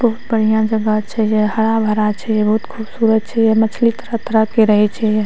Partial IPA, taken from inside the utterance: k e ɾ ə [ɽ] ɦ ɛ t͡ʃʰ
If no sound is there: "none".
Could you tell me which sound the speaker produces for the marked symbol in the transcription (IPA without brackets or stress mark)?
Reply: none